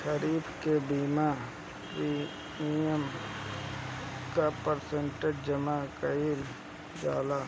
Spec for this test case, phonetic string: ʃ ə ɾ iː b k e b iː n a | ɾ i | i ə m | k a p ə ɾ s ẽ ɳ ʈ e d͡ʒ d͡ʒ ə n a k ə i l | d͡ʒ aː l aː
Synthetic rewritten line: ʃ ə ɾ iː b k e b iː m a | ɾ i | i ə m | k a p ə ɾ s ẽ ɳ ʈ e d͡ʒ d͡ʒ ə m a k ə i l | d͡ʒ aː l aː